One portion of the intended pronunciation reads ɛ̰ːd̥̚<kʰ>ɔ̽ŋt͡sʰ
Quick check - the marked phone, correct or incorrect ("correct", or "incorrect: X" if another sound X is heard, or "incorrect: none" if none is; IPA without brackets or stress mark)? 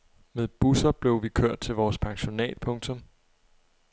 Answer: incorrect: pʰ